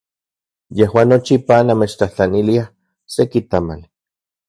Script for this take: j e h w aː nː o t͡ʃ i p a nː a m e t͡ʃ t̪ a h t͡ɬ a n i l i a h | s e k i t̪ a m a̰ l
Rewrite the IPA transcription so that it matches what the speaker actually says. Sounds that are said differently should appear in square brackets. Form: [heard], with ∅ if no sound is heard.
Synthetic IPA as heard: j e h w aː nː o t͡ʃ i p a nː a m e t͡ʃ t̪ a h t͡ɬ a n i l i a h | s e k i t̪ a m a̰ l